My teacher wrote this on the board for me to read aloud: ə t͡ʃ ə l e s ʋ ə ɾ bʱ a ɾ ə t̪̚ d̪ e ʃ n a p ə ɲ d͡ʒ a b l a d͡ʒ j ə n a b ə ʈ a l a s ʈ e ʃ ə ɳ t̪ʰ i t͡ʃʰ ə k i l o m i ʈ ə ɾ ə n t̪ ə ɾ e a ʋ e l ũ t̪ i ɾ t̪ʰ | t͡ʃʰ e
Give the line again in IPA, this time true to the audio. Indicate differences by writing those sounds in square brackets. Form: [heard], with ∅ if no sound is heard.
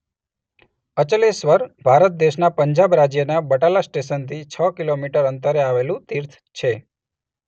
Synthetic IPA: ə t͡ʃ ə l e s ʋ ə ɾ bʱ a ɾ ə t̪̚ d̪ e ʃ n a p ə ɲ d͡ʒ a b [ɾ] a d͡ʒ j ə n a b ə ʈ a l a s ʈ e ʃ ə [n] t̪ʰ i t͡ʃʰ ə k i l o m i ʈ ə ɾ ə n t̪ ə ɾ e a ʋ e l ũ t̪ i ɾ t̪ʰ | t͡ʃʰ e

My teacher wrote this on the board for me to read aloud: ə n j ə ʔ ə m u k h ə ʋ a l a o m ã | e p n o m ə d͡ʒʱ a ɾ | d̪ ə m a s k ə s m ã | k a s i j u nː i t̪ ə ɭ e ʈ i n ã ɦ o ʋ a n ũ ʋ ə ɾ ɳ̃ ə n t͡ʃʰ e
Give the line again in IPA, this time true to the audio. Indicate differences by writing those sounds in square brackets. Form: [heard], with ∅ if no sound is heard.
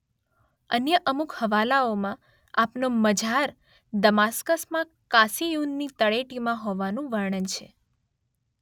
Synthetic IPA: ə n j ə ʔ ə m u k h ə ʋ a l a o m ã | [a] p n o m ə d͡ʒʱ a ɾ | d̪ ə m a s k ə s m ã | k a s i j u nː i t̪ ə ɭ e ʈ i [m] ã ɦ o ʋ a n ũ ʋ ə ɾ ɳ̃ ə n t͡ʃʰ e

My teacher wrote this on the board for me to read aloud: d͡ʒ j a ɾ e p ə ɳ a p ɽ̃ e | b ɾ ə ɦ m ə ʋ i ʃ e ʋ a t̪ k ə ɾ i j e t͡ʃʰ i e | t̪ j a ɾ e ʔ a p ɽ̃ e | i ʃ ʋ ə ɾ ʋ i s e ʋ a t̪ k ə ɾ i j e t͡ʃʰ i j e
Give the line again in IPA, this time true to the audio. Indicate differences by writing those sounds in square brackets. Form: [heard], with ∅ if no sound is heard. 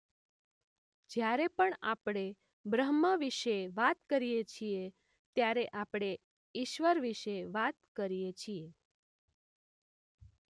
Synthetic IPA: d͡ʒ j a ɾ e p ə ɳ a p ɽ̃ e | b ɾ ə ɦ m ə ʋ i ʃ e ʋ a t̪ k ə ɾ i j e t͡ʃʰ i e | t̪ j a ɾ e ʔ a p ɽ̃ e | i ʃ ʋ ə ɾ ʋ i [ʃ] e ʋ a t̪ k ə ɾ i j e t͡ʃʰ i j e

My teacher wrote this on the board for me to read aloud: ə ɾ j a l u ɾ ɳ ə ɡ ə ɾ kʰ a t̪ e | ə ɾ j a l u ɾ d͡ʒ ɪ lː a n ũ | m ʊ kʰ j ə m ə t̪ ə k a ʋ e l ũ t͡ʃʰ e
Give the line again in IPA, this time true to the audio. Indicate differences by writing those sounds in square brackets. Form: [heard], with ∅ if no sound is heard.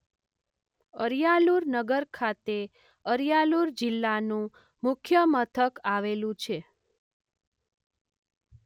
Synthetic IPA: ə ɾ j a l u ɾ [n] ə ɡ ə ɾ kʰ a t̪ e | ə ɾ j a l u ɾ d͡ʒ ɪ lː a n ũ | m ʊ kʰ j ə m ə [t̪ʰ] ə k a ʋ e l ũ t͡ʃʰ e

